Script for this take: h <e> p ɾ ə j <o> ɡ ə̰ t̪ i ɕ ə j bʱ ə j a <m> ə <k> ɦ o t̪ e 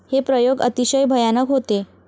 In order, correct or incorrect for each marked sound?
correct, correct, incorrect: n, correct

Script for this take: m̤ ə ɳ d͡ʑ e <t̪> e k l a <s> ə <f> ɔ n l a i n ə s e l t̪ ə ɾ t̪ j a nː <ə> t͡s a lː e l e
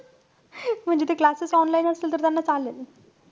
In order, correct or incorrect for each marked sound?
correct, correct, incorrect: s, incorrect: a

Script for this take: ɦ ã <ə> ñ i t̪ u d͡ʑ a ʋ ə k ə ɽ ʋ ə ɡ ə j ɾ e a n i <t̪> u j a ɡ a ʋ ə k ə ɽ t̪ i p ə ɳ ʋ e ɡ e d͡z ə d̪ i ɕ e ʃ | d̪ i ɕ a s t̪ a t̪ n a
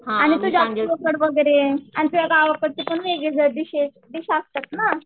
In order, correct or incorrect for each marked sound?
incorrect: a, correct

